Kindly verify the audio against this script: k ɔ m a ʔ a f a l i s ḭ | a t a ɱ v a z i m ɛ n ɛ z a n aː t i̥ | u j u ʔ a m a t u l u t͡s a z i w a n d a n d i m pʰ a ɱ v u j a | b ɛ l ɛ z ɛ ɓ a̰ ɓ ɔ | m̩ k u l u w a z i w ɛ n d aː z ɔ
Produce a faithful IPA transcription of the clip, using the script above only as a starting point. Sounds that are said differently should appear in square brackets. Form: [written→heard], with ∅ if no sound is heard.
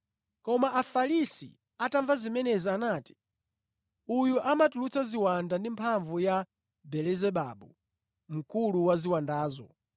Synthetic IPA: k ɔ m a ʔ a f a l i s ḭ | a t a ɱ v a z i m ɛ n ɛ z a n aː t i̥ | u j u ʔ a m a t u l u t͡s a z i w a n d a n d i m pʰ a ɱ v u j a | b ɛ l ɛ z ɛ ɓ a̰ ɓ [ɔ→u] | m̩ k u l u w a z i w [ɛ→a] n d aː z ɔ